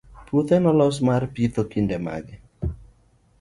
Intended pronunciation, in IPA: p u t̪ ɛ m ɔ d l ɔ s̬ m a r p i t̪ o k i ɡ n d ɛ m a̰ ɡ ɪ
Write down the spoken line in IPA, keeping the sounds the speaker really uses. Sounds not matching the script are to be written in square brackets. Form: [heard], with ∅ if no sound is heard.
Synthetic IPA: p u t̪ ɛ [n] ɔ [∅] l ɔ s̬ m a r p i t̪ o k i [∅] n d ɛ m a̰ ɡ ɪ

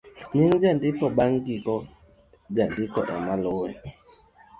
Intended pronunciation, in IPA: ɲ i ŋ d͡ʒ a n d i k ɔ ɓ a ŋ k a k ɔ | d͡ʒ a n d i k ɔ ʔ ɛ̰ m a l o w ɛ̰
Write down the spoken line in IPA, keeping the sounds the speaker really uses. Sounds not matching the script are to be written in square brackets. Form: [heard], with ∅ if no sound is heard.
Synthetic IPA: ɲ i ŋ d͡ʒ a n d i k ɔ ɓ a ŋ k [i] k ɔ | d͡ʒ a n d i k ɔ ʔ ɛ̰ m a l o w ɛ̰

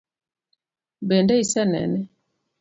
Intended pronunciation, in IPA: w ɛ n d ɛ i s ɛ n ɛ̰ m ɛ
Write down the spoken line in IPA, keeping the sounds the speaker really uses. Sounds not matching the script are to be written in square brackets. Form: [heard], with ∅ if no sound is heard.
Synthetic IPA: [b] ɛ n d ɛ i s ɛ n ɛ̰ [n] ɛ

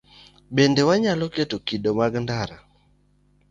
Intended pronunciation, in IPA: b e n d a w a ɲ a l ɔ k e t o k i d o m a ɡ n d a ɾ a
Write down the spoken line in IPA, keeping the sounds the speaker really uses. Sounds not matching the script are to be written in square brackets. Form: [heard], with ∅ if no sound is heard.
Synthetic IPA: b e n d [e] w a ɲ a l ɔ k e t o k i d o m a ɡ n d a ɾ a

